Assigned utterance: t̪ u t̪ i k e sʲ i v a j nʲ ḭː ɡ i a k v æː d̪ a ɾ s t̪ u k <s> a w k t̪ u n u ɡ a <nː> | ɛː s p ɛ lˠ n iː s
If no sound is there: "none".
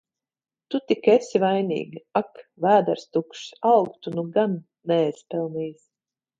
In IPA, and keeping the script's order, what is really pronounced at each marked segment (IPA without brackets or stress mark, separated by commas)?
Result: ʃ, nː